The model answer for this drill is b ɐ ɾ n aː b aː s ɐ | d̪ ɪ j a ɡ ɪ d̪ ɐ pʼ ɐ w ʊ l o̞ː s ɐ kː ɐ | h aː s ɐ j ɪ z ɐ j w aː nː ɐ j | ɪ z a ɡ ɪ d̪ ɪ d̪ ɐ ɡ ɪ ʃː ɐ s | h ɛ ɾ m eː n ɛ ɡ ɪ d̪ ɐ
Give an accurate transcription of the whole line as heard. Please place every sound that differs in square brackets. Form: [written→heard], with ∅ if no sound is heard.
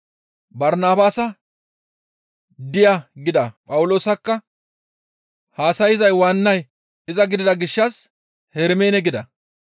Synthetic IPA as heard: b ɐ ɾ n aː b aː s ɐ | d̪ ɪ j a ɡ ɪ d̪ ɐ pʼ ɐ w ʊ l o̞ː s ɐ kː ɐ | h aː s ɐ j ɪ z ɐ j w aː nː ɐ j | ɪ z [a→ɐ] ɡ ɪ d̪ ɪ d̪ ɐ ɡ ɪ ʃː ɐ s | h ɛ ɾ m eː n ɛ ɡ ɪ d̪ ɐ